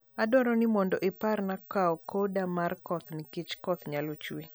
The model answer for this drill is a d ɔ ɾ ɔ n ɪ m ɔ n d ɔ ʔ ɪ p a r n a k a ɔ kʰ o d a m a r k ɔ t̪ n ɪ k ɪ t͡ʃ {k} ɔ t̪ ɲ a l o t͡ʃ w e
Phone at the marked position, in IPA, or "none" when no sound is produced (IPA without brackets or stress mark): k